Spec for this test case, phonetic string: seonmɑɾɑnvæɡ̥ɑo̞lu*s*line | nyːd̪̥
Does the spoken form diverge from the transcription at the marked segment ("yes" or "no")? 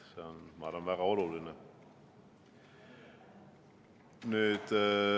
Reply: yes